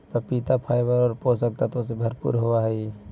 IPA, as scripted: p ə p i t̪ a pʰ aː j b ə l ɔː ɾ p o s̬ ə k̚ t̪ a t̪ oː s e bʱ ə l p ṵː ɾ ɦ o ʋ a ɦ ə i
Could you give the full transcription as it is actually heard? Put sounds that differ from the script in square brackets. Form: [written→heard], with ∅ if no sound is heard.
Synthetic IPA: p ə p i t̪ a pʰ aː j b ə [l→ɾ] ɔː ɾ p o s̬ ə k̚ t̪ a t̪ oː s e bʱ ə [l→ɾ] p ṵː ɾ ɦ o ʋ a ɦ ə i